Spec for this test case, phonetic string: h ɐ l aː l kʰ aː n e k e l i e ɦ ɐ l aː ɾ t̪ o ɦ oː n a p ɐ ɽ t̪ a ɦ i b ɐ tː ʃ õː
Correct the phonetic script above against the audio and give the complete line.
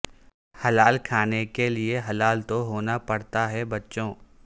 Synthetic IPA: h ɐ l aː l kʰ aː n e k e l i e ɦ ɐ l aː l t̪ o ɦ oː n a p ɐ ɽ t̪ a ɦ ɛ b ɐ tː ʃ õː

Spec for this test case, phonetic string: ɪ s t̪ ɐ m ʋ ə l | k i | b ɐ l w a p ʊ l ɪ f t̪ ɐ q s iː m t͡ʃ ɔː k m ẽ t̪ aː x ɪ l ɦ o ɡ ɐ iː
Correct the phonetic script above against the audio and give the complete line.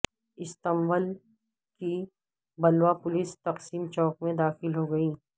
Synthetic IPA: ɪ s t̪ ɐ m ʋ ə l | k i | b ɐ l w a p ʊ l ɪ s t̪ ɐ q s iː m t͡ʃ ɔː k m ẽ d̪ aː x ɪ l ɦ o ɡ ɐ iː

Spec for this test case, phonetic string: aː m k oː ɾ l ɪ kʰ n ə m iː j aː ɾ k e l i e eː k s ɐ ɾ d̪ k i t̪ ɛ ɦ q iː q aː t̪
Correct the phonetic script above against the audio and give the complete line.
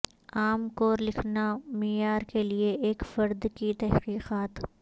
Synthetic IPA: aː m k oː ɾ l ɪ kʰ n a m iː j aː ɾ k e l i e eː k f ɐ ɾ d̪ k i t̪ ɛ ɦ q iː q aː t̪

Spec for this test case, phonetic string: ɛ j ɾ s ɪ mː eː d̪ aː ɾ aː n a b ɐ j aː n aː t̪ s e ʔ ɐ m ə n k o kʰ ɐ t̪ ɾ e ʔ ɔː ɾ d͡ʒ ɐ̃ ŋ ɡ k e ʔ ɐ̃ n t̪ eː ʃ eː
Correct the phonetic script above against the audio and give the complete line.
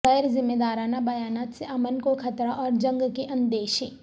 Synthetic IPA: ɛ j ɾ z ɪ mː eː d̪ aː ɾ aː n a b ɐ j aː n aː t̪ s e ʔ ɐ m ə n k o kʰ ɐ t̪ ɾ a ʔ ɔː ɾ d͡ʒ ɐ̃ ŋ ɡ k e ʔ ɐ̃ n d̪ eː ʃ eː

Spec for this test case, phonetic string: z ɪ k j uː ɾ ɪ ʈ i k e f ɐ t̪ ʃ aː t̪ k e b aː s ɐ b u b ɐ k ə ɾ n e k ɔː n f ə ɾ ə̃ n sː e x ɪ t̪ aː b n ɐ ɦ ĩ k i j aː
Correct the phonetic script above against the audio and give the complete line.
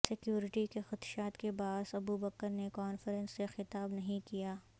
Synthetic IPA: s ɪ k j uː ɾ ɪ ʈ i k e x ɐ t̪ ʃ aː t̪ k e b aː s ɐ b u b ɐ k ə ɾ n e k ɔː n f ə ɾ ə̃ n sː e x ɪ t̪ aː b n ɐ ɦ ĩ k i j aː

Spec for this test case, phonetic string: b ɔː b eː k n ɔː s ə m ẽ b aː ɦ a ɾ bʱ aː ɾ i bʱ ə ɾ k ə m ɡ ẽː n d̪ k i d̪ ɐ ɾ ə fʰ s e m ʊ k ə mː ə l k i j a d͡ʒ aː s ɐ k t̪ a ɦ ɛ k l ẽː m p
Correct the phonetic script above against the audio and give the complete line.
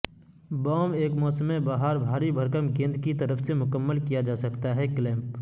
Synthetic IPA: b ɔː m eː k m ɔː s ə m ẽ b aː ɦ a ɾ bʱ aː ɾ i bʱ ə ɾ k ə m ɡ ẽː n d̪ k i t̪ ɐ ɾ ə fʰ s e m ʊ k ə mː ə l k i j a d͡ʒ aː s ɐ k t̪ a ɦ ɛ k l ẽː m p

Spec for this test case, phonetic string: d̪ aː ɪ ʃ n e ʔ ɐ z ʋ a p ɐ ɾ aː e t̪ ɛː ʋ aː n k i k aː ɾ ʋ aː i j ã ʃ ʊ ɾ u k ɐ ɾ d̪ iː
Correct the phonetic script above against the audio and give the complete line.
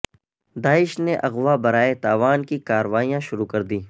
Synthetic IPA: d̪ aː ɪ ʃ n e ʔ ɐ ɣ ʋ a b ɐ ɾ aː e t̪ aː ʋ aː n k i k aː ɾ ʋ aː i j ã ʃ ʊ ɾ u k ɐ ɾ d̪ iː

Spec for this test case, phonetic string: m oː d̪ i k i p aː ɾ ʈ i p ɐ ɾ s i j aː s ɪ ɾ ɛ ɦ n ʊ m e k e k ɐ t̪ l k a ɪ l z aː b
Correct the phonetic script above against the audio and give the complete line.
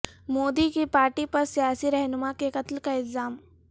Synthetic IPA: m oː d̪ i k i p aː ɾ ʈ i p ɐ ɾ s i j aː s i ɾ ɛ ɦ n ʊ m a k e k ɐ t̪ l k a ɪ l z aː m

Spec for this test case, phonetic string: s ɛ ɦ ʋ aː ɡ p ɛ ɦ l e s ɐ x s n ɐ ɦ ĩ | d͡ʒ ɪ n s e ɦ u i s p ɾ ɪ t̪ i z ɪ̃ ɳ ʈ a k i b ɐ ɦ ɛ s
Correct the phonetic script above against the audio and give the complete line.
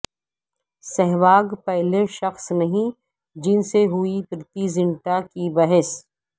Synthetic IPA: s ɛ ɦ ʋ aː ɡ p ɛ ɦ l e ʃ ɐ x s n ɐ ɦ ĩ | d͡ʒ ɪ n s e ɦ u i p ɾ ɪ t̪ i z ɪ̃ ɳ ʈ a k i b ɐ ɦ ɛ s

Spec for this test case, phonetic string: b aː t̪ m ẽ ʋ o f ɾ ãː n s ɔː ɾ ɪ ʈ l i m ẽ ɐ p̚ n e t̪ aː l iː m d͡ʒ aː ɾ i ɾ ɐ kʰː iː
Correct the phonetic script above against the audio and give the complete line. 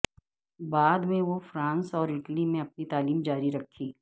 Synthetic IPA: b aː d̪ m ẽ ʋ o f ɾ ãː n s ɔː ɾ ɪ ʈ l i m ẽ ɐ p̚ n i t̪ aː l iː m d͡ʒ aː ɾ i ɾ ɐ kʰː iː

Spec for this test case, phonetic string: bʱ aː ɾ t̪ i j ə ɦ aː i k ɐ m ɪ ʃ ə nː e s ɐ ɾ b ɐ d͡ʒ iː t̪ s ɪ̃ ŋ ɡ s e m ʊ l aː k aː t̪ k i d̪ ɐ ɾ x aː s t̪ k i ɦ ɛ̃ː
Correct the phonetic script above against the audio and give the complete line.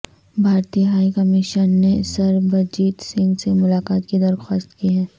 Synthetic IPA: bʱ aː ɾ t̪ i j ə ɦ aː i k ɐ m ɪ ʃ ə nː e s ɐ ɾ b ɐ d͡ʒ iː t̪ s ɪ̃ ŋ ɡ s e m ʊ l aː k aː t̪ k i d̪ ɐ ɾ x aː s t̪ k i ɦ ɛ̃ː

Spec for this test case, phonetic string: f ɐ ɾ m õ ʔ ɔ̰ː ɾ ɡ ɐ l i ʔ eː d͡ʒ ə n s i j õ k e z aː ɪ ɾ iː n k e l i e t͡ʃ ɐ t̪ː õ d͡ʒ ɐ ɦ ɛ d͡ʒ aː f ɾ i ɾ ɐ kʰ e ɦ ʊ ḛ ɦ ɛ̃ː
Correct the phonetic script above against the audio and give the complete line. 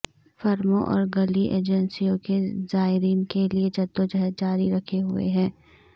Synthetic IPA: f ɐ ɾ m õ ʔ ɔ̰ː ɾ ɡ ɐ l i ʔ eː d͡ʒ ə n s i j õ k e z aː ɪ ɾ iː n k e l i e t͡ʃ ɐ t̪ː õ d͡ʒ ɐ ɦ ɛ d͡ʒ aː ɾ i ɾ ɐ kʰ e ɦ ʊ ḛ ɦ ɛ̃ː

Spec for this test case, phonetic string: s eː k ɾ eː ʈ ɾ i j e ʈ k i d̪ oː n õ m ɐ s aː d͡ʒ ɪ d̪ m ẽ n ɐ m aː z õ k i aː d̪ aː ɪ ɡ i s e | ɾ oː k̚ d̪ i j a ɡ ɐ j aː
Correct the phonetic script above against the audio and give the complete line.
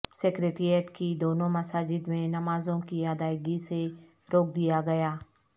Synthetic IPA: s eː k ɾ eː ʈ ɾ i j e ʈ k i d̪ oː n õ m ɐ s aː d͡ʒ ɪ d̪ m ẽ n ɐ m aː z õ k i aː d̪ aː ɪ ɡ i s e | ɾ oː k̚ d̪ i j a ɡ ɐ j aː

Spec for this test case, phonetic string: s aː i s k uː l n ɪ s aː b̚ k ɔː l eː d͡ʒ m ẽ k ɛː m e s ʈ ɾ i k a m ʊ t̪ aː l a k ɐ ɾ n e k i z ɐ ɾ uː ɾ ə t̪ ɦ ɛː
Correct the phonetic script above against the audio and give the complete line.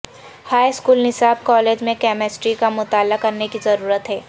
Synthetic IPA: h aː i s k uː l n ɪ s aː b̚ k ɔː l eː d͡ʒ m ẽ k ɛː m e s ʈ ɾ i k a m ʊ t̪ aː l a k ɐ ɾ n e k i z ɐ ɾ uː ɾ ə t̪ ɦ ɛː

